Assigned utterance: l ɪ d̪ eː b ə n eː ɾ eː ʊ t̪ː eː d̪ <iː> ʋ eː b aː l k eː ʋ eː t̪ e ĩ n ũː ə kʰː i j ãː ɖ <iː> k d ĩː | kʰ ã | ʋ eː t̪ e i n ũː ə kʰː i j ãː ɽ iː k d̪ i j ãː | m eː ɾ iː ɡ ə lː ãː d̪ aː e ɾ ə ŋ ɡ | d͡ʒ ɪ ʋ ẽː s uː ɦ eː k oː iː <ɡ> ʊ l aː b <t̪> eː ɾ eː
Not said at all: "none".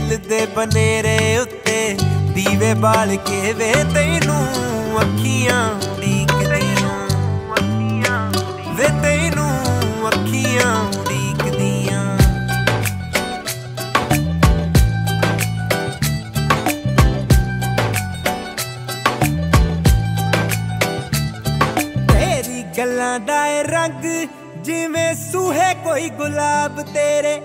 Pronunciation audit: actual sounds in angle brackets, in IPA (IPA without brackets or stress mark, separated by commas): iː, iː, ɡ, t̪